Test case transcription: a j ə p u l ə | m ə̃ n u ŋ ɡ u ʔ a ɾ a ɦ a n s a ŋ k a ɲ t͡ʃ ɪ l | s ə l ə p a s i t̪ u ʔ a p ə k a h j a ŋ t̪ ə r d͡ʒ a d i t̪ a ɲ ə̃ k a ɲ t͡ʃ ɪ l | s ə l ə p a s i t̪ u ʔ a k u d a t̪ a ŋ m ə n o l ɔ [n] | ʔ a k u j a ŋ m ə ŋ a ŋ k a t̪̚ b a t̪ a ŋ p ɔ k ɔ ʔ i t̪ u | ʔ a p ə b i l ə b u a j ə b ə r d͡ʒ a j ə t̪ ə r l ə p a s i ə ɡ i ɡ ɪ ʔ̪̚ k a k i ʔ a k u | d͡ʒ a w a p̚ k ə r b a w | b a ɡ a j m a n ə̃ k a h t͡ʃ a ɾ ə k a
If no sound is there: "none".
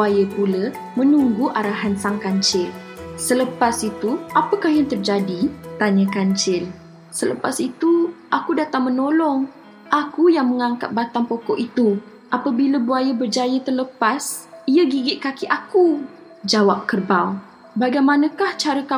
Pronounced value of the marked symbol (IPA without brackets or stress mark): ŋ